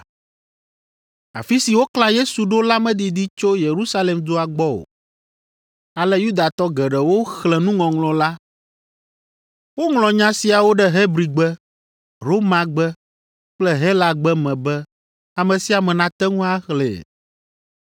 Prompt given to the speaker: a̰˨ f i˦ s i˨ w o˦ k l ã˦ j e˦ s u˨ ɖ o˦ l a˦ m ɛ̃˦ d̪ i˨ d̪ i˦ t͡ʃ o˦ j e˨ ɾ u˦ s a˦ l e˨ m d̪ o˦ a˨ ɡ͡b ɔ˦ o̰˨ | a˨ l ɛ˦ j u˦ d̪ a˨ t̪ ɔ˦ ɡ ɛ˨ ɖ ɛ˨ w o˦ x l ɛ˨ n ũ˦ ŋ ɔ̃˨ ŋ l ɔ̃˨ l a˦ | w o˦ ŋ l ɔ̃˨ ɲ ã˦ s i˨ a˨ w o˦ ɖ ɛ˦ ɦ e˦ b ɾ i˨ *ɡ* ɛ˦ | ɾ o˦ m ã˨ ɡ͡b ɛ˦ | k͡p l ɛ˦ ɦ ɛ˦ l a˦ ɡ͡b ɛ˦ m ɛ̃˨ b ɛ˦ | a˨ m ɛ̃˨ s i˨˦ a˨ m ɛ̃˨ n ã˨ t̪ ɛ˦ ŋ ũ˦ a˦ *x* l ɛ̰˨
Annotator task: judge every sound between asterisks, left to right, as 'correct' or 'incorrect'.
incorrect: ɡ͡b, correct

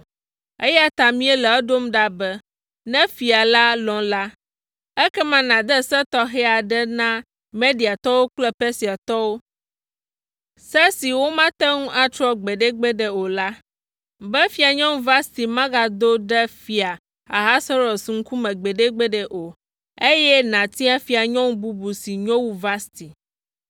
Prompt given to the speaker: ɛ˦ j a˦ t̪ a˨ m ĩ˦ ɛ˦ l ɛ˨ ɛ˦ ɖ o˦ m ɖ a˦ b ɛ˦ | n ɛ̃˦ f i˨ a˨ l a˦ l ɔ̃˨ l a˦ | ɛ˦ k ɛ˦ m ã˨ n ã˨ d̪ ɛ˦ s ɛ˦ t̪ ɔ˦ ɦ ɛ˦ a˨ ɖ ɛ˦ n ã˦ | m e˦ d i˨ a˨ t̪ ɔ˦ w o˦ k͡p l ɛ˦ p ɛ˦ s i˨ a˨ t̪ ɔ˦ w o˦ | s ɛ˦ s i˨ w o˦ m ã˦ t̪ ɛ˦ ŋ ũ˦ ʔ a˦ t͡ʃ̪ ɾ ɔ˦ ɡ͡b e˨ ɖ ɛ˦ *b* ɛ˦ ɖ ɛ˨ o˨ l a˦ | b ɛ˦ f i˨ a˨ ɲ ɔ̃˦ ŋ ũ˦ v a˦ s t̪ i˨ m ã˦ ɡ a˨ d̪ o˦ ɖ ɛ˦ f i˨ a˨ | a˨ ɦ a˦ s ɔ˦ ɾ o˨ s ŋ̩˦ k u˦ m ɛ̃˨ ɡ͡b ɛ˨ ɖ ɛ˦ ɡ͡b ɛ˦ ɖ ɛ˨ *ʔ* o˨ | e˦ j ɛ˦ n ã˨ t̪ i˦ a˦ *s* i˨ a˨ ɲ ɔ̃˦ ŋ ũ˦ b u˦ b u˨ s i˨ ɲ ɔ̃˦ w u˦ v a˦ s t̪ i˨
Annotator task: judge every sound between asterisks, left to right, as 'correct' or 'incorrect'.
incorrect: ɡ͡b, correct, incorrect: f

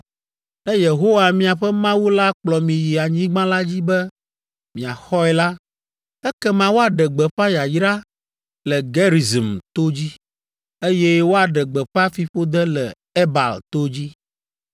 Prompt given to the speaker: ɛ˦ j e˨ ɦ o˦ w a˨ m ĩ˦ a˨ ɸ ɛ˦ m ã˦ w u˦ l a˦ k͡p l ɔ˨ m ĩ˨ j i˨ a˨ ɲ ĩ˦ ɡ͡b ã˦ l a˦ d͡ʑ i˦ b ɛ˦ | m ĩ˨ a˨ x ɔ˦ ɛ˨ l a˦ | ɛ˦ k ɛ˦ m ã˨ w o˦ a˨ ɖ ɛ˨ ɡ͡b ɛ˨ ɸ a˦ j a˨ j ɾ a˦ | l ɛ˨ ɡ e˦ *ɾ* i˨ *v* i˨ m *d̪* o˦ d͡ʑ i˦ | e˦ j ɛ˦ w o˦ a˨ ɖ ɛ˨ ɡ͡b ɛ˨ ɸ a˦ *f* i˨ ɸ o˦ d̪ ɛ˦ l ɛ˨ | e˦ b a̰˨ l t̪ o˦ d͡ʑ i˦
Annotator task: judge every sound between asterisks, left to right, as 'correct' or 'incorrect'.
correct, incorrect: z, incorrect: t̪, correct

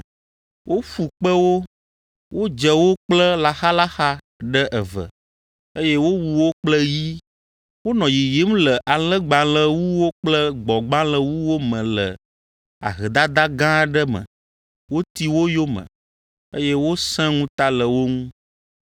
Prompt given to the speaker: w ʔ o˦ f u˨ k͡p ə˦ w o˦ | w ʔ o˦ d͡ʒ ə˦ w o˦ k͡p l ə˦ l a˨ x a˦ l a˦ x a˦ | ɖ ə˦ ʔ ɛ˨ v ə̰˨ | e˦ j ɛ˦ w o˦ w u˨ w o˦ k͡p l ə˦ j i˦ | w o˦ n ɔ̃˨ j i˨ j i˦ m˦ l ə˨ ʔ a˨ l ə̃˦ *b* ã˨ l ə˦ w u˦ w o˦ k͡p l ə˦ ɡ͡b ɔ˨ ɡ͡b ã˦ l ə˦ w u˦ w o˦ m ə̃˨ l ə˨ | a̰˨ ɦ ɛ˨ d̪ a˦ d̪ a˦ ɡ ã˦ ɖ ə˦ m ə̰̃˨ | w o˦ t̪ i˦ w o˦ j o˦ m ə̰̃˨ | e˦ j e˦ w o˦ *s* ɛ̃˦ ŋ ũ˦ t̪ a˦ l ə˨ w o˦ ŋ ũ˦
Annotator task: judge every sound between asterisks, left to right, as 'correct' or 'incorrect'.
incorrect: ɡ͡b, correct

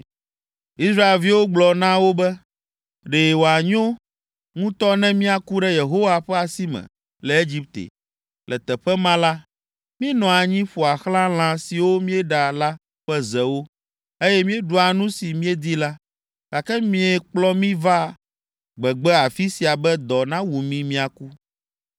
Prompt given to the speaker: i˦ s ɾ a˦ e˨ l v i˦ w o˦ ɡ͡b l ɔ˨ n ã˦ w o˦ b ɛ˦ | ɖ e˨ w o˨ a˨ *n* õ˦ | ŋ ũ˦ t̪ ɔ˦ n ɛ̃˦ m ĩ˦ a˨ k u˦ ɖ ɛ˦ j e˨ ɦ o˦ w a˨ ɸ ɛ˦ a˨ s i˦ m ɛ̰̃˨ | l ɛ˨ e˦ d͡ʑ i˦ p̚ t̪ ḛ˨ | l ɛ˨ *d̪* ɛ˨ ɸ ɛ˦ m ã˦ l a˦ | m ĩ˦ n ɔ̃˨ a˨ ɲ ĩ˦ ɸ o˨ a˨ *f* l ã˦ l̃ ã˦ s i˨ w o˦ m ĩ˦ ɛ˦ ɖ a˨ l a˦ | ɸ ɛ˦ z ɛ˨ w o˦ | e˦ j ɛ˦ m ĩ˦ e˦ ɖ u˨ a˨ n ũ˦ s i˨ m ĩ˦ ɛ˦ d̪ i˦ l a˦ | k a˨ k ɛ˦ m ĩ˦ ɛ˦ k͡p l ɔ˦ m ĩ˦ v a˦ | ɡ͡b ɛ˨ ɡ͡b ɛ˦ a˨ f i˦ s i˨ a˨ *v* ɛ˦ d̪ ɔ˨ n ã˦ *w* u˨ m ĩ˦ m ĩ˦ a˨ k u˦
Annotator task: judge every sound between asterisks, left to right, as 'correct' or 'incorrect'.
incorrect: ɲ, incorrect: t̪, incorrect: x, incorrect: b, correct

